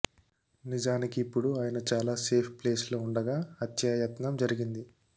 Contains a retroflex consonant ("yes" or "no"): yes